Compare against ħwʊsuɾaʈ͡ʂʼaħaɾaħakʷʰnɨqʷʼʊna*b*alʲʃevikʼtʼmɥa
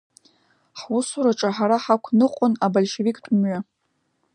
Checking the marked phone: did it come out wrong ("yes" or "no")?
no